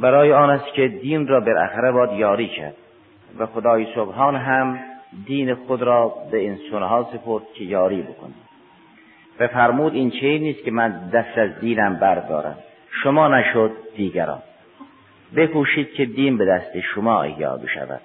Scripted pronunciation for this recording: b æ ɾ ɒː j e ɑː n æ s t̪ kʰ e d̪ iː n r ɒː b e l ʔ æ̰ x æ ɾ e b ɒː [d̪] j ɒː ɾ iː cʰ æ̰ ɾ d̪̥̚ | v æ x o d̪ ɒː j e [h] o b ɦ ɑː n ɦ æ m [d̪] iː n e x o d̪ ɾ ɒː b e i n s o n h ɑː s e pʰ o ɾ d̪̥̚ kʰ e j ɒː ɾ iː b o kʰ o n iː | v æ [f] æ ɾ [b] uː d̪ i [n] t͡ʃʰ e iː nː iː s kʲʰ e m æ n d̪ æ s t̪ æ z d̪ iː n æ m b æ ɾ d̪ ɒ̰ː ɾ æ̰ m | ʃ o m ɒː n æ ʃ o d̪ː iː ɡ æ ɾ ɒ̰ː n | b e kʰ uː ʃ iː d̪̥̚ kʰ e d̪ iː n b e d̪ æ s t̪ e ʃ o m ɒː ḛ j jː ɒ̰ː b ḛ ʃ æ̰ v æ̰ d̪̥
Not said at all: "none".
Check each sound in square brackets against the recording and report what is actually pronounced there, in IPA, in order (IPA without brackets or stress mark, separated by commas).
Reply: d̪, s, d̪, f, m, n